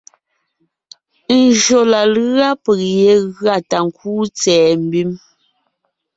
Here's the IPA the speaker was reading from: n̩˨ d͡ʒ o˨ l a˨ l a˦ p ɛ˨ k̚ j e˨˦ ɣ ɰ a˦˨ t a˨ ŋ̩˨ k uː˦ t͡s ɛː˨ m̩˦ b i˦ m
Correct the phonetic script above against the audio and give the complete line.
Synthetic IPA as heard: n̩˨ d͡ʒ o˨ l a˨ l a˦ p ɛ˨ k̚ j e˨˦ ɣ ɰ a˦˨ t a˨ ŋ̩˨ k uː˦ t͡s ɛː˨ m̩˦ b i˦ m